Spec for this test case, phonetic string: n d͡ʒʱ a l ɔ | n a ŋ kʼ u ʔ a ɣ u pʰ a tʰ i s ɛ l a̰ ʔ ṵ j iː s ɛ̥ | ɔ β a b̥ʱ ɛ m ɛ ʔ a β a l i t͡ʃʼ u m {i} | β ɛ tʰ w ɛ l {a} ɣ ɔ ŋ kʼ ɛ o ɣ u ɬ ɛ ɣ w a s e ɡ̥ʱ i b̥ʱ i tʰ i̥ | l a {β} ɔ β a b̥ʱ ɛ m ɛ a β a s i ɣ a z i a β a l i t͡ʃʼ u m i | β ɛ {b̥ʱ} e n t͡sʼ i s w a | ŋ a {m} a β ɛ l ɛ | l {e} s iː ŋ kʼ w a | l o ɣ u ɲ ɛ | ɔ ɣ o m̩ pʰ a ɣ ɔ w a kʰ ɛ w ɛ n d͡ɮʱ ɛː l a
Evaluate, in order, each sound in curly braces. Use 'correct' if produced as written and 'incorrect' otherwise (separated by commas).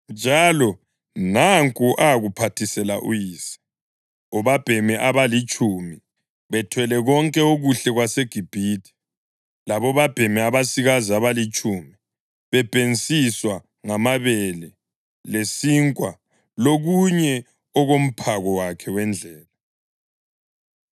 correct, incorrect, correct, correct, correct, correct